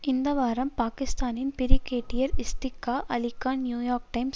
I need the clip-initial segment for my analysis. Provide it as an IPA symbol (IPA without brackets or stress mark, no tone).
ɪ